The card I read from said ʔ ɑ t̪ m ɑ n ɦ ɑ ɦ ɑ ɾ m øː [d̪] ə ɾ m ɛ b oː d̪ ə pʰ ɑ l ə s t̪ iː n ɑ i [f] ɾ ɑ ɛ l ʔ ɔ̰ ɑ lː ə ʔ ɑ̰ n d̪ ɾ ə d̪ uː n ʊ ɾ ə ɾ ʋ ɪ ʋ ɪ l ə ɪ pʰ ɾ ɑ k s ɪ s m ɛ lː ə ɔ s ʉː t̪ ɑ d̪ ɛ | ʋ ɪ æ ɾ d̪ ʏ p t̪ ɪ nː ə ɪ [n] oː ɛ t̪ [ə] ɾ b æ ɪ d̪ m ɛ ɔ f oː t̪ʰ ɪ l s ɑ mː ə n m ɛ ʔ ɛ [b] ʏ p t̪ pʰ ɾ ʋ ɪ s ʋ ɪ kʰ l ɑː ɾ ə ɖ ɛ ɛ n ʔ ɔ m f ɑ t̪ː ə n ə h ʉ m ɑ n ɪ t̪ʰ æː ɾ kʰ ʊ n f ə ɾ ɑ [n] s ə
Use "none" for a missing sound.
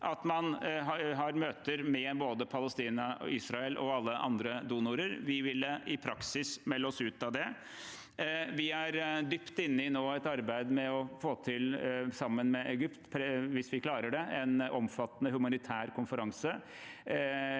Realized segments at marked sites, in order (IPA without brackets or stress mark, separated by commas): t̪, s, n, ɑ, ɡ, ŋ